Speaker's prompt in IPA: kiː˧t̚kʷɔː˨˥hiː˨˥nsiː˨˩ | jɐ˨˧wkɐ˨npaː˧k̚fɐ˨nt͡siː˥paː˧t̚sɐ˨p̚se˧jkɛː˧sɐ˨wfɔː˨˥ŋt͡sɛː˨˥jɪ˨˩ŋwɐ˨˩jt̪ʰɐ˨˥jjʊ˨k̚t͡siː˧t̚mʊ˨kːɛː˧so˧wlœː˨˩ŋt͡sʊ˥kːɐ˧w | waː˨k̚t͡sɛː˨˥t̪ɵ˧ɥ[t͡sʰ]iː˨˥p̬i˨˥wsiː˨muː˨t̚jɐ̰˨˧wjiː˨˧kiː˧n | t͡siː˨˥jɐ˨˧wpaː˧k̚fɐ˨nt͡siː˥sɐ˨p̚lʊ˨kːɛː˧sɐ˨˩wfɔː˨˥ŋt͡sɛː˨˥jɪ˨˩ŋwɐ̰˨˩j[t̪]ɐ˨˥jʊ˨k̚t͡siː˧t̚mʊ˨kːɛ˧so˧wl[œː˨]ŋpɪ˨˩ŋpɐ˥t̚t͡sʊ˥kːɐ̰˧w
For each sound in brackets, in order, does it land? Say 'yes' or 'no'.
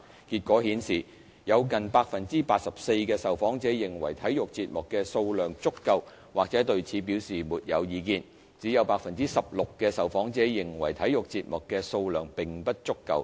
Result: yes, no, yes

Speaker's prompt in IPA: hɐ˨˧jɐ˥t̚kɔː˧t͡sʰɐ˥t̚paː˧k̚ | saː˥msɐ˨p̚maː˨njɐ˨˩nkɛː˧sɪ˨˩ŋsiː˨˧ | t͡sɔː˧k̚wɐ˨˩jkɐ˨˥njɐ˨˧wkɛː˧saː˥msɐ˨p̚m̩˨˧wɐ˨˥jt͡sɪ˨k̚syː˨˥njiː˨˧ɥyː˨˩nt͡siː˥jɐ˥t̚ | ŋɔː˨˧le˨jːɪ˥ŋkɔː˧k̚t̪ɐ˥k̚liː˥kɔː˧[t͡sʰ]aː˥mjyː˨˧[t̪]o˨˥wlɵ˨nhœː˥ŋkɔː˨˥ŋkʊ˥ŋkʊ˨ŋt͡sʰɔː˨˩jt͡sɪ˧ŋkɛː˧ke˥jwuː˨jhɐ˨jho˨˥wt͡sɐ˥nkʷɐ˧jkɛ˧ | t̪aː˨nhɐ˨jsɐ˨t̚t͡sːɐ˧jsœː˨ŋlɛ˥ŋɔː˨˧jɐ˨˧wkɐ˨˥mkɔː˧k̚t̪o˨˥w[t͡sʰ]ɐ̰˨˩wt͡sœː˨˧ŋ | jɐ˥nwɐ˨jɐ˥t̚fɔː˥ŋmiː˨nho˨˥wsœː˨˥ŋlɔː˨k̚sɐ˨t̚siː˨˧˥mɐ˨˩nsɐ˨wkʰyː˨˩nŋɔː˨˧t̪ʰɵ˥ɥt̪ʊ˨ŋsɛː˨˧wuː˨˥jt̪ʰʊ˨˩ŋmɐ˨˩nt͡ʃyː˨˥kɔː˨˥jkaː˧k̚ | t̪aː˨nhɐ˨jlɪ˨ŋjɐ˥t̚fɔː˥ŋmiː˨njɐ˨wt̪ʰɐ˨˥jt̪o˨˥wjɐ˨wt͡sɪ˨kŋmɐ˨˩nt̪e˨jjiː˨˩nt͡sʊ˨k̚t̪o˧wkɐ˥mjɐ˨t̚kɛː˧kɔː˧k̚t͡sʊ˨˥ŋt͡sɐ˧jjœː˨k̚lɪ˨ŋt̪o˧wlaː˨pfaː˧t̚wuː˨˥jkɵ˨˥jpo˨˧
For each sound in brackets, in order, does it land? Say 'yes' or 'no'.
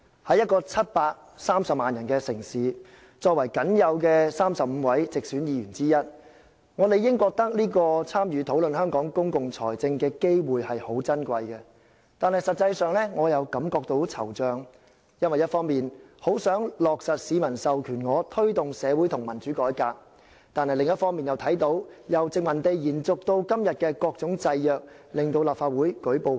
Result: yes, no, yes

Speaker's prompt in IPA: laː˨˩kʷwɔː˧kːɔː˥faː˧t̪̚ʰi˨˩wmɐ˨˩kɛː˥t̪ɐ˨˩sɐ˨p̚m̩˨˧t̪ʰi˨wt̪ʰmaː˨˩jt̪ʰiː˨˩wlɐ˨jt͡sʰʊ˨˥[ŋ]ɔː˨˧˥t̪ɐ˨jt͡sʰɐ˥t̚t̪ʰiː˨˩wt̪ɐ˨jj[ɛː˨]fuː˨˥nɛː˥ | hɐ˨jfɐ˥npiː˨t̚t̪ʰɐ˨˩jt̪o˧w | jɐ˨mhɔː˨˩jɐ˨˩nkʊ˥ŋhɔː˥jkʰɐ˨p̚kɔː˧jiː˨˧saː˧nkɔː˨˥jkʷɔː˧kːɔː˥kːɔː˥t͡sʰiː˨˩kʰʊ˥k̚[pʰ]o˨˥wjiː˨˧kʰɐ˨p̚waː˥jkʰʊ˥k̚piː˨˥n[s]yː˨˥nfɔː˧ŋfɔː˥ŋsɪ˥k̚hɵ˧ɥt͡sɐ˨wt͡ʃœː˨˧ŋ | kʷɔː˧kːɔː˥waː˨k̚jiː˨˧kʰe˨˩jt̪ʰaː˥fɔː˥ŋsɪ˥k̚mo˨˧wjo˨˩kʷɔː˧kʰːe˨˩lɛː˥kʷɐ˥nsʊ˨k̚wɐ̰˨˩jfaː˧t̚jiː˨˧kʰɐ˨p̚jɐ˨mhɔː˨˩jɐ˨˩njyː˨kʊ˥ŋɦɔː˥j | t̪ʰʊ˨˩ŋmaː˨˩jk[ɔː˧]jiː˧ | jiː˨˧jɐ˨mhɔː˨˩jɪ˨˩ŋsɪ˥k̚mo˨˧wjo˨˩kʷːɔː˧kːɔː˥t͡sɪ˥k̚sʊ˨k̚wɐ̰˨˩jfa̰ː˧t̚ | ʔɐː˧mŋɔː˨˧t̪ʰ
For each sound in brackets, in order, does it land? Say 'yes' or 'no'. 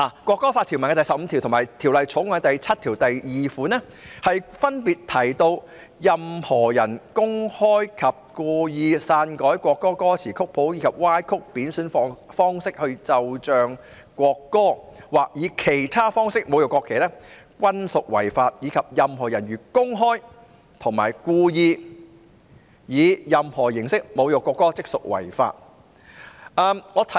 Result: yes, no, yes, yes, no

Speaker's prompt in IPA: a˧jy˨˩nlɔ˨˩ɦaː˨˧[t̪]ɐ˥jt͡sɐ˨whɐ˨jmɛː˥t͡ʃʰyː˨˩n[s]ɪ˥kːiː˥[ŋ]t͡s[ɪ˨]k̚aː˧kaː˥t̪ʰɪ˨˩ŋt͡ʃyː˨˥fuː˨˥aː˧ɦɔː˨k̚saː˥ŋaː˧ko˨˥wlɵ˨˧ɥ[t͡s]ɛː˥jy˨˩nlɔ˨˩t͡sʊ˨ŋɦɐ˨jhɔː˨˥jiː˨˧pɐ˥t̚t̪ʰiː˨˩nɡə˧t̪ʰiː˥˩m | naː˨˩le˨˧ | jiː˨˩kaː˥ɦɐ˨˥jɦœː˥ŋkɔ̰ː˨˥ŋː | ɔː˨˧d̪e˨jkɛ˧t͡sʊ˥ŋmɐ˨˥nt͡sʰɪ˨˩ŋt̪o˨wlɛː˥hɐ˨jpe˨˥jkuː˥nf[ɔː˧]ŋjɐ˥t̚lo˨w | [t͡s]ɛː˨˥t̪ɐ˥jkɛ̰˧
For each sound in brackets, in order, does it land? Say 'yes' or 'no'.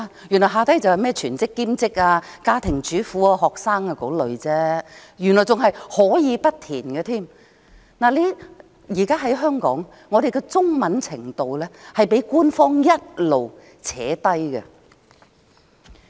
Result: yes, no, no, no, yes, no, no

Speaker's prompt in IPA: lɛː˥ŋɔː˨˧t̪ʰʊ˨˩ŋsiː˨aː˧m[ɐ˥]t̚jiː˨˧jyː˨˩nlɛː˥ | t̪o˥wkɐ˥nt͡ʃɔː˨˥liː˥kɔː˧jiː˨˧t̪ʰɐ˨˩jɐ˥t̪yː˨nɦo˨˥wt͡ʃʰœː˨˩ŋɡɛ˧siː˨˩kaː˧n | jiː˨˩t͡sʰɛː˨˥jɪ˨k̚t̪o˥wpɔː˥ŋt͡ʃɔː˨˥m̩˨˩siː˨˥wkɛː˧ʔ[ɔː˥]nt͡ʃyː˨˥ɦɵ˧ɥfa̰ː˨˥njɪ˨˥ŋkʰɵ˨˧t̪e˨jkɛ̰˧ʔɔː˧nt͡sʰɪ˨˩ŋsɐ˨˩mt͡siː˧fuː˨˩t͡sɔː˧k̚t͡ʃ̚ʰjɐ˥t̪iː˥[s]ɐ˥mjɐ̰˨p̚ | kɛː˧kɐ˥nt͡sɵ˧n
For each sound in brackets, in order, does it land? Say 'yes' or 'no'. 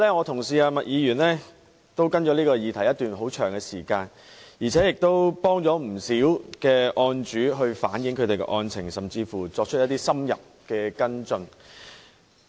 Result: no, no, yes

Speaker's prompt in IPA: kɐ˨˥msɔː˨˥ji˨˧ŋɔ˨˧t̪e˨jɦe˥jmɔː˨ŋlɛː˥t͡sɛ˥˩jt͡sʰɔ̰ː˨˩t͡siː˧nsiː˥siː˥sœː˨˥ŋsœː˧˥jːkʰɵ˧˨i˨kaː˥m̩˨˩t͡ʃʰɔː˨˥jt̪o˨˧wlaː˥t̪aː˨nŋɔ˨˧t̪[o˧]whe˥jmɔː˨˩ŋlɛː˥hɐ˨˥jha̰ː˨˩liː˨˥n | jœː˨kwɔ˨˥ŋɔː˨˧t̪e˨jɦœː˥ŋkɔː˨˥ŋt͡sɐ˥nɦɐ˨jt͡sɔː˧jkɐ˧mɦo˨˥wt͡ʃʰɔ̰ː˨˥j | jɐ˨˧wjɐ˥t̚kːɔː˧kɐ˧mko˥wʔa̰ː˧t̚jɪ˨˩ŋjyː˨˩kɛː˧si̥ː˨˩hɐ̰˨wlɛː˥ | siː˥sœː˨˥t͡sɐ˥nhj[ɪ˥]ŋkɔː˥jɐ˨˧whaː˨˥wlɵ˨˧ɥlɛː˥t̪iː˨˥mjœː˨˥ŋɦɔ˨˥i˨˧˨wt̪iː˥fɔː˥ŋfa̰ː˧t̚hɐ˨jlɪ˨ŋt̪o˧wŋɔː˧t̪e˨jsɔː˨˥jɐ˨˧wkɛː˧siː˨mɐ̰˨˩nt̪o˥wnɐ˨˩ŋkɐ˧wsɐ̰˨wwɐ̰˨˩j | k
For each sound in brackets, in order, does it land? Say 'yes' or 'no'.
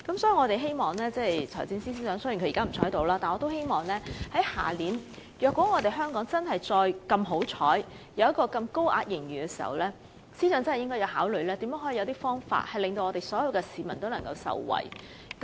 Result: no, yes

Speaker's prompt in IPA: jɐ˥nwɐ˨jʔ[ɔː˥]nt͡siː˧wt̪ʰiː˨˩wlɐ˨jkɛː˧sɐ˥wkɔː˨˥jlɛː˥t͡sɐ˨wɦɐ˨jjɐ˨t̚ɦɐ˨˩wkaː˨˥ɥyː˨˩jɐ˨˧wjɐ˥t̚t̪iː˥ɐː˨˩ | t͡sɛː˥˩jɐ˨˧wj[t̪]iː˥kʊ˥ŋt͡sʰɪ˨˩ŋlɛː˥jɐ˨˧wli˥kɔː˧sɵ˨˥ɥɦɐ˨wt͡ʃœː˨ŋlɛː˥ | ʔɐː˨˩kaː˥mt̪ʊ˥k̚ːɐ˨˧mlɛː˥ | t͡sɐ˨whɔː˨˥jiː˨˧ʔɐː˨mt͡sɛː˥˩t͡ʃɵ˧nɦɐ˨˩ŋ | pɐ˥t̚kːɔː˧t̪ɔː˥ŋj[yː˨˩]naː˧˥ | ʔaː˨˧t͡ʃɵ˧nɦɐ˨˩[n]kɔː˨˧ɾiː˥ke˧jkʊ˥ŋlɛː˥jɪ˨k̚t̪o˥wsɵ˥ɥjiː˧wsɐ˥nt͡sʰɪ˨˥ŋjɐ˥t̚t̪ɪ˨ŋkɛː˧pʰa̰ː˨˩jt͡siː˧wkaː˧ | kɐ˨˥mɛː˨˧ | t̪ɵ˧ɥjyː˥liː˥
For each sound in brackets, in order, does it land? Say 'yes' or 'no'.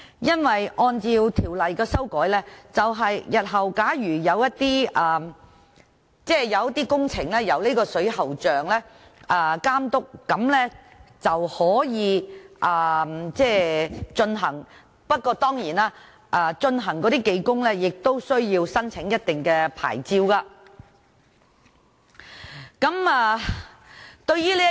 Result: no, yes, no, no

